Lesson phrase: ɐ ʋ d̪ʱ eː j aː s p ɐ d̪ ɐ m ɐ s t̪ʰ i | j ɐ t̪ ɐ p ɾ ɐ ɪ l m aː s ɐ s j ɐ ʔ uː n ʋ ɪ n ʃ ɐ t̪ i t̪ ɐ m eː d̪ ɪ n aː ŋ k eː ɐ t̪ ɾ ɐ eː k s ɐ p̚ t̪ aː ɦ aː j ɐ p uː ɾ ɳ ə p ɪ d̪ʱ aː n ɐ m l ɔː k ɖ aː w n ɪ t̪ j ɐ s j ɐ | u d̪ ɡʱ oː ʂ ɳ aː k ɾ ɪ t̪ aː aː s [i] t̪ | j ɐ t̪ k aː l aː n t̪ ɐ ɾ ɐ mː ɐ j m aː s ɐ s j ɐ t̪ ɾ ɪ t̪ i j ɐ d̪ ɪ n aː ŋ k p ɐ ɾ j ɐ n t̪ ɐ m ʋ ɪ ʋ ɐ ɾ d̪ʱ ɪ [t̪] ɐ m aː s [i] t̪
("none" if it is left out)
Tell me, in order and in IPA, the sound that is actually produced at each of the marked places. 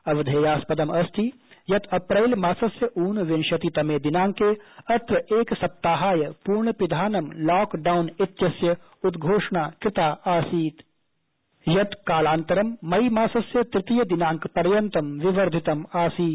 iː, t̪, iː

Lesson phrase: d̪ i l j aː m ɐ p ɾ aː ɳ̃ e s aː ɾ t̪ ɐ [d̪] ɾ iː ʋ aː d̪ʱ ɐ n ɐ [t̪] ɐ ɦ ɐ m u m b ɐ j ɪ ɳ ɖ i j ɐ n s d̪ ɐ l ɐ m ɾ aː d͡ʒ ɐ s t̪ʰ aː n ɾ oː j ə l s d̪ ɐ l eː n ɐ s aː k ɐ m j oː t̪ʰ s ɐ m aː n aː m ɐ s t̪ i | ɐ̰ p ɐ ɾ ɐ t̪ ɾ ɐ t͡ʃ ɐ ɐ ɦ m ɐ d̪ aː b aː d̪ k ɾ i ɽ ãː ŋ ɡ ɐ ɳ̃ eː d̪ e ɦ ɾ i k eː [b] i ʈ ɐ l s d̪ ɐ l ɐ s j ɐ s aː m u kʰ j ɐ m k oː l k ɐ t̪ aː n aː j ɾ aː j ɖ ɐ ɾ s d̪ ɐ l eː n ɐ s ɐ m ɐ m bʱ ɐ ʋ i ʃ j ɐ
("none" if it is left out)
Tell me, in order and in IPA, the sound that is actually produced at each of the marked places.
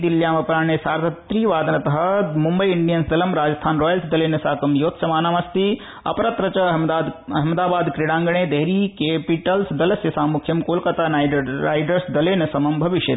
t̪, t̪, p

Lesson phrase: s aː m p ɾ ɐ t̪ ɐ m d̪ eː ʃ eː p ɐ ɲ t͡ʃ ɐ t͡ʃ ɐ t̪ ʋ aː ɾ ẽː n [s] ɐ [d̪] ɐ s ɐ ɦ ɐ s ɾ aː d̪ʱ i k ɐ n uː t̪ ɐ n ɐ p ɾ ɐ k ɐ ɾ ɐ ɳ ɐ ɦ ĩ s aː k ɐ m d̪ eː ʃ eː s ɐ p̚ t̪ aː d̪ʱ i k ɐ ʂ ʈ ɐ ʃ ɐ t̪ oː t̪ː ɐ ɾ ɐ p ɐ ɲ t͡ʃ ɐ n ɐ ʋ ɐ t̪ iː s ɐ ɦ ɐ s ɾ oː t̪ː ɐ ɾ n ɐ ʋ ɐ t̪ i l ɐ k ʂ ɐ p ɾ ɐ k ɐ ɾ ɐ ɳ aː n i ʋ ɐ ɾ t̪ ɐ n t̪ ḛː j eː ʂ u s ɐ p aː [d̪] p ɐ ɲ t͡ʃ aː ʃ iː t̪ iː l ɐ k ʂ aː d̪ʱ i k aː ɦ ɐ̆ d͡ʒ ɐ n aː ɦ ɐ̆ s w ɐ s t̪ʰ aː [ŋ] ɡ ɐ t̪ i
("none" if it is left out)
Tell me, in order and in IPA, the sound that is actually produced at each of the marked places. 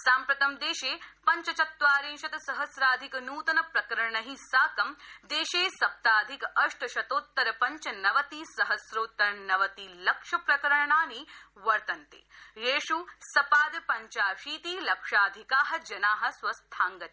ʃ, t̪, d̪, ŋ

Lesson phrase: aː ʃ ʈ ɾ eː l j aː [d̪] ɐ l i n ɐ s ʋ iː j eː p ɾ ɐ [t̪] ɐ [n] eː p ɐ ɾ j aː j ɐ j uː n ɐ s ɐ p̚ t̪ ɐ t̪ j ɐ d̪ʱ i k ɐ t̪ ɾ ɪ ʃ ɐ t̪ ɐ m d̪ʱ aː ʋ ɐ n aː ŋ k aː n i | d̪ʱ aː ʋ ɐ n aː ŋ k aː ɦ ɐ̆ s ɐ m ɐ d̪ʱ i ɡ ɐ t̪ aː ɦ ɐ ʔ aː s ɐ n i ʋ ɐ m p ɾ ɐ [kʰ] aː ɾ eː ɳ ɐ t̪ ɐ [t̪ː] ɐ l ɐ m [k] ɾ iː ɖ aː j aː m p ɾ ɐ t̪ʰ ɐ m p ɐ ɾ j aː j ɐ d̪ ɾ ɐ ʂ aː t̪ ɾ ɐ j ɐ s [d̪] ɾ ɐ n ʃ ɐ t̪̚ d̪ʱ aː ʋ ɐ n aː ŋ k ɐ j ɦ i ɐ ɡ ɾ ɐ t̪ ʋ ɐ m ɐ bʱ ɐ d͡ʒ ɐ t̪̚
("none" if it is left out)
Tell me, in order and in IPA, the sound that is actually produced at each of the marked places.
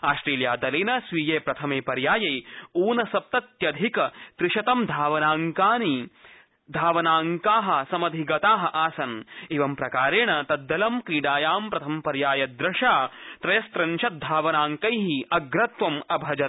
d̪, t̪ʰ, m, k, d̪ː, k, t̪

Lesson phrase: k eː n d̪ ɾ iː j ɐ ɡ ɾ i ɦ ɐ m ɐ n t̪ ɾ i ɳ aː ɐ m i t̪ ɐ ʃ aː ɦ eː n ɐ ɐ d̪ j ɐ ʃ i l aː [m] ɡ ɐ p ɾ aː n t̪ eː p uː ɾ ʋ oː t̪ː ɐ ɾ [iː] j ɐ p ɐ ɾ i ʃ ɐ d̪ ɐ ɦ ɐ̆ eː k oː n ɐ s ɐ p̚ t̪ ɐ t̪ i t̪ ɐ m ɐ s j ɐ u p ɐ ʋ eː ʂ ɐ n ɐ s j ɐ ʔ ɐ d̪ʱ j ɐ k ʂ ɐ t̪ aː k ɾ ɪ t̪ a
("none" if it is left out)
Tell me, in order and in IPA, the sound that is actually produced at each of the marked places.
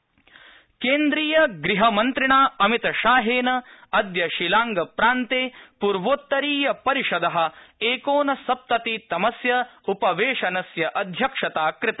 ŋ, iː

